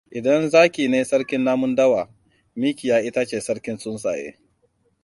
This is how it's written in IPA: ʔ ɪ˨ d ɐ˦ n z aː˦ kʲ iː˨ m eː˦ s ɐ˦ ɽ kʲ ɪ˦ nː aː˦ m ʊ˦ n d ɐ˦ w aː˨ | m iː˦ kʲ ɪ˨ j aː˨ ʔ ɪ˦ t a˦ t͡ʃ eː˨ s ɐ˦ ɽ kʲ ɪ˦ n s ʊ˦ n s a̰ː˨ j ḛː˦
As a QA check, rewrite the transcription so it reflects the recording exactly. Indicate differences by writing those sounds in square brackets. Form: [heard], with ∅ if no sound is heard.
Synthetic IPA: ʔ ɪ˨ d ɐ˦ n z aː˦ kʲ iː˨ [n] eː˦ s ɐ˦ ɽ kʲ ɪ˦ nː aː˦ m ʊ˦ n d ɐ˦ w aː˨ | m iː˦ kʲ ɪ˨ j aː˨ ʔ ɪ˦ t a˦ t͡ʃ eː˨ s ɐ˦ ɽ kʲ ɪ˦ n s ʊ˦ n s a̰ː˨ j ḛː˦